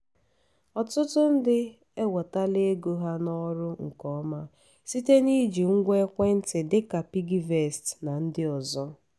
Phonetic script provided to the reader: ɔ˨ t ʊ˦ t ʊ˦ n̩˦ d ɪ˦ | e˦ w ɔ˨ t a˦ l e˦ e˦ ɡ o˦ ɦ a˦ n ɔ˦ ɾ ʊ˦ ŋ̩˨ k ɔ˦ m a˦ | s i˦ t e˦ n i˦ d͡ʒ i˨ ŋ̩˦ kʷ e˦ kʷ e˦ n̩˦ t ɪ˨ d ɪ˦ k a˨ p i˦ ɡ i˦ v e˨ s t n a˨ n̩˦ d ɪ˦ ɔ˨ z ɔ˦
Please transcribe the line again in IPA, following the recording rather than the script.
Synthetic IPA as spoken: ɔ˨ t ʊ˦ t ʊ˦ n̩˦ d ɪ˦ | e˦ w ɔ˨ t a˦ l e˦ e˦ ɡ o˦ ɦ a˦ n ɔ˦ ɾ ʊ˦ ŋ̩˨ k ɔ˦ m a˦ | s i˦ t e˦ n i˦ d͡ʒ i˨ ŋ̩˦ ɡʷ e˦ kʷ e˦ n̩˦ t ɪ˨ d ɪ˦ k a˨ p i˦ ɡ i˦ v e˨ s t n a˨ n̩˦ d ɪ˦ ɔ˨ z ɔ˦